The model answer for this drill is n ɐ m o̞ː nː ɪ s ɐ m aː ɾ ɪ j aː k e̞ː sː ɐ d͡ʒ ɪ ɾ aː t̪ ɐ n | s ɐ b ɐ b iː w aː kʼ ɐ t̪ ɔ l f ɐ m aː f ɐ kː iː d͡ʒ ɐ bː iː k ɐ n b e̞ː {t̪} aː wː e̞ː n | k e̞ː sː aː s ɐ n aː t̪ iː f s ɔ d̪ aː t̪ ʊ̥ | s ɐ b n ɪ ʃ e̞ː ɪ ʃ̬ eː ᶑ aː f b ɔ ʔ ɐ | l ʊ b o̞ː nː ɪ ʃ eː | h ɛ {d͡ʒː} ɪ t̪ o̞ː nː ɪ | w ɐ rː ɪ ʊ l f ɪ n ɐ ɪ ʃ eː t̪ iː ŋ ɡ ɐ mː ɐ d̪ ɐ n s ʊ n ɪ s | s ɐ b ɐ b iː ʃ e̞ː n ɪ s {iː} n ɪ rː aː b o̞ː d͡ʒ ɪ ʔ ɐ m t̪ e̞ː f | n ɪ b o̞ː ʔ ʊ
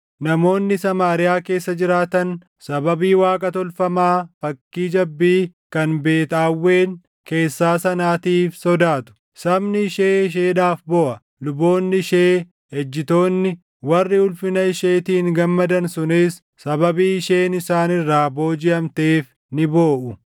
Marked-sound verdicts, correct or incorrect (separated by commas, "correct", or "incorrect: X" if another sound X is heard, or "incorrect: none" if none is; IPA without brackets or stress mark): correct, correct, incorrect: aː